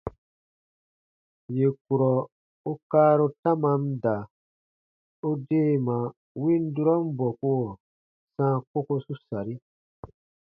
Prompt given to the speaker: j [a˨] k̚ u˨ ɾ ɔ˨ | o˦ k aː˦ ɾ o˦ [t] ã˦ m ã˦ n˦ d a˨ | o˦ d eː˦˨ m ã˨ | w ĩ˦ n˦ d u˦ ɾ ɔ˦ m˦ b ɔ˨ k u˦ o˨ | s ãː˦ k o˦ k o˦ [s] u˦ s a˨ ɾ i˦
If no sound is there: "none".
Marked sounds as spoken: e˨, t, s

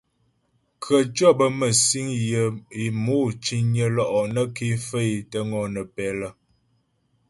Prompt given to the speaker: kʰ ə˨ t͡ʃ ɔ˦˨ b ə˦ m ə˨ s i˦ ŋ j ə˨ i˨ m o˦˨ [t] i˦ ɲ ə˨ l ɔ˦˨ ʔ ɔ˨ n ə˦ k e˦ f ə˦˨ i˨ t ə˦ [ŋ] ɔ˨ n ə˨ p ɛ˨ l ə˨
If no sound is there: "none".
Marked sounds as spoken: t͡ʃ, ŋ

